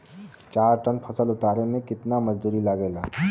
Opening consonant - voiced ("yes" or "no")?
no